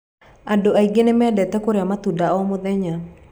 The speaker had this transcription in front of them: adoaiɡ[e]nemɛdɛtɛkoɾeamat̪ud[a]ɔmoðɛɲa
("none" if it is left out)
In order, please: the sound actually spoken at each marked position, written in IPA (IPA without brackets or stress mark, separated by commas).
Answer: e, a